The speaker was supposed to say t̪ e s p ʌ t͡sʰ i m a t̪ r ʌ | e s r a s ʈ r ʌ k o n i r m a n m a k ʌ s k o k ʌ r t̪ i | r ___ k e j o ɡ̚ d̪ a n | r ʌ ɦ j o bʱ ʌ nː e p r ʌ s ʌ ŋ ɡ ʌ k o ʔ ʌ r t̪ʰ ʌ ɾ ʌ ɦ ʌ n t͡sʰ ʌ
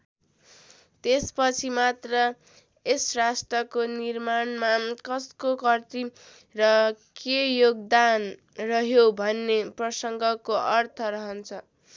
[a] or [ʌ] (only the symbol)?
ʌ